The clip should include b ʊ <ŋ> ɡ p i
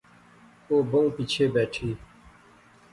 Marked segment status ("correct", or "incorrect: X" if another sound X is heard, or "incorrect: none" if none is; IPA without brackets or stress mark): correct